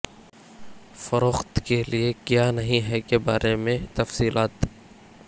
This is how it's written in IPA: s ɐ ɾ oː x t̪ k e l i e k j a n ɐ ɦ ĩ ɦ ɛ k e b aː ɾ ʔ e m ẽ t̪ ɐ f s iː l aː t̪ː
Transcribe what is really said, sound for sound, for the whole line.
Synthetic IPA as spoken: f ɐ ɾ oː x t̪ k e l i e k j a n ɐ ɦ ĩ ɦ ɛ k e b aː ɾ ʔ e m ẽ t̪ ɐ f s iː l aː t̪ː